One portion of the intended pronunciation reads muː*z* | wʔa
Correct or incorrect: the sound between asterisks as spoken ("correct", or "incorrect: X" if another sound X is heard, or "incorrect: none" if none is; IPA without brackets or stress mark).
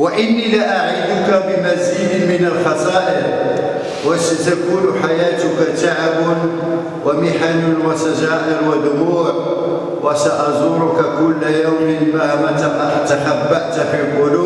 incorrect: ʕ